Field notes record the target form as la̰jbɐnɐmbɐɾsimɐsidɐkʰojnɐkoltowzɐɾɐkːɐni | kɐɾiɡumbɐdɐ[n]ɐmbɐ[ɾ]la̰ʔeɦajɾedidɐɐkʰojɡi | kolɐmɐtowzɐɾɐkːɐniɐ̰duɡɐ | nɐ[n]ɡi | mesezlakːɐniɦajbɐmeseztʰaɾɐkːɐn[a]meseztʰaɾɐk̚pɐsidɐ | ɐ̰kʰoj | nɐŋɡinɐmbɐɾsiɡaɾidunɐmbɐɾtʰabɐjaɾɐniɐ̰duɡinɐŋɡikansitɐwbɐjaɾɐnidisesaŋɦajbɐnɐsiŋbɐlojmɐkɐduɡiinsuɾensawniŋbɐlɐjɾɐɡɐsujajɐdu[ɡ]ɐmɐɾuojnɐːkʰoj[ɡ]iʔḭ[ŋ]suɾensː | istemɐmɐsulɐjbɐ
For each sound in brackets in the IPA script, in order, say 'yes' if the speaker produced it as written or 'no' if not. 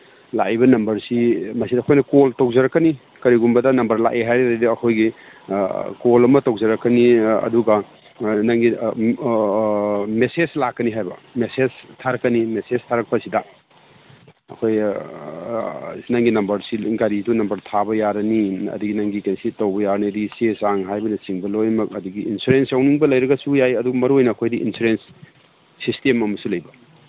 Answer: yes, yes, no, no, yes, no, no

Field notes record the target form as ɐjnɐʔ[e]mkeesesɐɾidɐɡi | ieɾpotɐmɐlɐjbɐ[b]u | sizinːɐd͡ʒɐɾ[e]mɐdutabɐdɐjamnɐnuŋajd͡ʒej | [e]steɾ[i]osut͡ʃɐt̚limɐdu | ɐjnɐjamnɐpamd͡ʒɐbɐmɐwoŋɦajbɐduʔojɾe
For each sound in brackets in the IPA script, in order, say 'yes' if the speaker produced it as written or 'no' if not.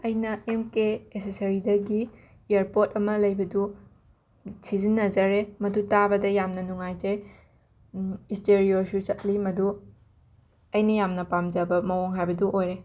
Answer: yes, no, yes, no, yes

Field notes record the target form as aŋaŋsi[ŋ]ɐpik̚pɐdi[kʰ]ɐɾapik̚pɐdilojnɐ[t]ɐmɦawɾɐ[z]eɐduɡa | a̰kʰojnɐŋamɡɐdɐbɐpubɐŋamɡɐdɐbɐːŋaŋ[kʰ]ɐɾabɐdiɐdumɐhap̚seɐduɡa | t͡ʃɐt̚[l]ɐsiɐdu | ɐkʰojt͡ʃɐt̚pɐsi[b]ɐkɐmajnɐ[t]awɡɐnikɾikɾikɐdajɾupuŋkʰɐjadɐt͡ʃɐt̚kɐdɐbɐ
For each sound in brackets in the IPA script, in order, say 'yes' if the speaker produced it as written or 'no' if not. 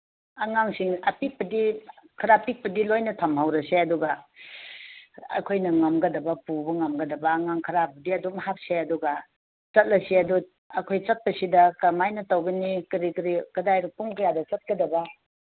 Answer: yes, yes, no, no, yes, yes, no, yes

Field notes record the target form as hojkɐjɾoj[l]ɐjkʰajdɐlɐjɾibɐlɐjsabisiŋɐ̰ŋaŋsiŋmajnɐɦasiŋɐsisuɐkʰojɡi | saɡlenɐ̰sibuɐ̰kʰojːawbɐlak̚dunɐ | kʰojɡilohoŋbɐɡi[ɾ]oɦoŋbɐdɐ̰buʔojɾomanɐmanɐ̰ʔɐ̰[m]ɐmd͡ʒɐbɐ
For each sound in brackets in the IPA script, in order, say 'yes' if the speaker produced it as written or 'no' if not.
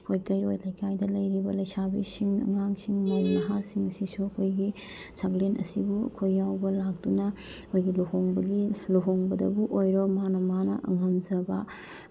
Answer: yes, no, no

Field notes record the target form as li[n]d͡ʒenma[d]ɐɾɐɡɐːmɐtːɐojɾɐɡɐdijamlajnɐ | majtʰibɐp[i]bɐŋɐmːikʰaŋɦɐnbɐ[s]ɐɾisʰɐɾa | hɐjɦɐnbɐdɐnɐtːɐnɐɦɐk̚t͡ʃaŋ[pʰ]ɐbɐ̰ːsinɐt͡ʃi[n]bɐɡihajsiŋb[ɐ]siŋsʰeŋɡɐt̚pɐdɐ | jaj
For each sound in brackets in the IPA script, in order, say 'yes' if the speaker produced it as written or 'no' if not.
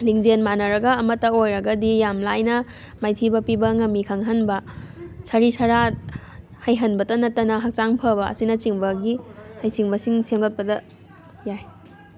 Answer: no, no, yes, yes, yes, no, yes

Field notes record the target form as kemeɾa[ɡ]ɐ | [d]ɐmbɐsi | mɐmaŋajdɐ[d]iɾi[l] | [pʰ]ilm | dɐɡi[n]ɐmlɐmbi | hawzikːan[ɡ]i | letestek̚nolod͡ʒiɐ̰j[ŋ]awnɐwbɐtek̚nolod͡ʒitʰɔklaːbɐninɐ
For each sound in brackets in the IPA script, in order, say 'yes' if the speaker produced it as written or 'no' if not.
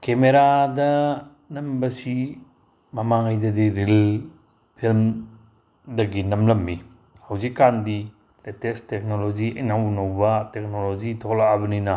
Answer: no, no, yes, yes, yes, yes, no, no

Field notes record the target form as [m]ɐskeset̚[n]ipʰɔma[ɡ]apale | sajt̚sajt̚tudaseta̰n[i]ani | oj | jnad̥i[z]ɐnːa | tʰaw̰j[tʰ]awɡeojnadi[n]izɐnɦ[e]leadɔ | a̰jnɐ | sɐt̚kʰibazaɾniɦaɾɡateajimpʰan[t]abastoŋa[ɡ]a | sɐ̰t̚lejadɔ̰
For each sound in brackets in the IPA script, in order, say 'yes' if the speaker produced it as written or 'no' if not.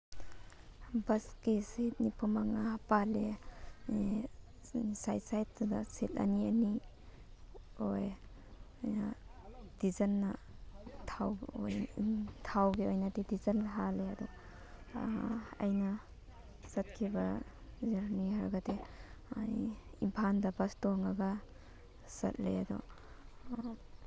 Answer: no, yes, no, yes, yes, yes, no, no, no, yes

